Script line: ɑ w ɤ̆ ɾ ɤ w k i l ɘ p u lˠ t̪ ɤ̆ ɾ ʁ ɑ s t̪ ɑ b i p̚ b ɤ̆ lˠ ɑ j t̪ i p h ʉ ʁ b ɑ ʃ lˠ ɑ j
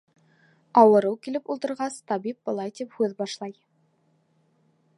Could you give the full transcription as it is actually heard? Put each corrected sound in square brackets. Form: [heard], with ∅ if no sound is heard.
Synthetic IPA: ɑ w ɤ̆ ɾ ɤ w k i l ɘ p u lˠ t̪ ɤ̆ ɾ ʁ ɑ s t̪ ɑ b i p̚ b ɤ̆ lˠ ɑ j t̪ i p h ʉ [ð] b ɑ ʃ lˠ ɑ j